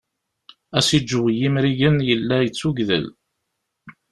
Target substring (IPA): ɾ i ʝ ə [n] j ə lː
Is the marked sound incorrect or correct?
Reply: correct